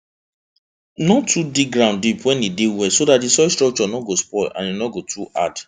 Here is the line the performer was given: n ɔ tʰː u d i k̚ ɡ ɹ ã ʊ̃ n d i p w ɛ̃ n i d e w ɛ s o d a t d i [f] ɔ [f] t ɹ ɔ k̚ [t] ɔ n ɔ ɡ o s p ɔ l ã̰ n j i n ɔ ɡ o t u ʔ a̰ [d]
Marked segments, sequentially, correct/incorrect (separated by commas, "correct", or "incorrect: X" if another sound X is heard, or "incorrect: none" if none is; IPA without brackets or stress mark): incorrect: s, incorrect: s, incorrect: t͡ʃ, correct